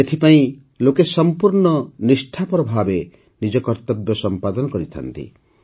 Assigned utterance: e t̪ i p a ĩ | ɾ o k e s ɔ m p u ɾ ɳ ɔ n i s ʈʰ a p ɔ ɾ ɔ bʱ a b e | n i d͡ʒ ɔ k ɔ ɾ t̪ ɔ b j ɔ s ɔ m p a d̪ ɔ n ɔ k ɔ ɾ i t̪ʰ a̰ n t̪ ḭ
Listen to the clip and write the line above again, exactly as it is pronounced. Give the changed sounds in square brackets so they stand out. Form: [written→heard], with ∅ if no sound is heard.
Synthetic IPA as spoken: e [t̪→t̪ʰ] i p a ĩ | [ɾ→l] o k e s ɔ m p u ɾ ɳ ɔ n i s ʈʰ a p ɔ ɾ ɔ bʱ a b e | n i d͡ʒ ɔ k ɔ ɾ t̪ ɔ b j ɔ s ɔ m p a d̪ ɔ n ɔ k ɔ ɾ i t̪ʰ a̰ n t̪ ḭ